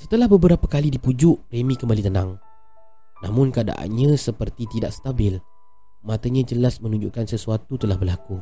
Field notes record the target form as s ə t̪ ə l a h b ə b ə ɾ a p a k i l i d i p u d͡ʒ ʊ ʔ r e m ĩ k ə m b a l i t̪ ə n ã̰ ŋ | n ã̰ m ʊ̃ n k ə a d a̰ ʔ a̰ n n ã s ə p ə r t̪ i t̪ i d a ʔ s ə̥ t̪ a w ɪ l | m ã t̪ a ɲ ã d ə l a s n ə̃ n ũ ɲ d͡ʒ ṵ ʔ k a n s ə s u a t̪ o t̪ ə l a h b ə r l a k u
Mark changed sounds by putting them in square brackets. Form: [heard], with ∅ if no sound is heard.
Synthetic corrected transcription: s ə t̪ ə l a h b ə b ə ɾ a p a k [a] l i d i p u d͡ʒ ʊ ʔ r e m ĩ k ə m b a l i t̪ ə n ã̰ ŋ | n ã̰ m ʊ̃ n k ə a d a̰ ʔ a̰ n [ɲ] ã s ə p ə r t̪ i t̪ i d a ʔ s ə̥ t̪ a [b] ɪ l | m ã t̪ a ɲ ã [d͡ʒ] ə l a s [m] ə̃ n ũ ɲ d͡ʒ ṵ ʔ k a n s ə s u a t̪ [u] t̪ ə l a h b ə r l a k u